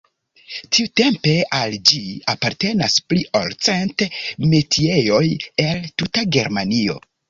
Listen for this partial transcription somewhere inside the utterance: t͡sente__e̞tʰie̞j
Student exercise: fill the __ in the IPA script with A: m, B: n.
A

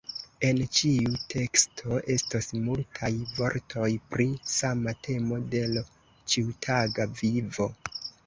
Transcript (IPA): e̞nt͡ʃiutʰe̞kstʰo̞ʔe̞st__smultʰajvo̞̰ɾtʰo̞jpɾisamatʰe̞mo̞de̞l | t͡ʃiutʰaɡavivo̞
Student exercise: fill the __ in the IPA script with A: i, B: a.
B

